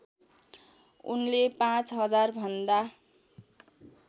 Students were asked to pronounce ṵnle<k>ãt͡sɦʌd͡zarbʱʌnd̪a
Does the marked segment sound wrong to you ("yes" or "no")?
yes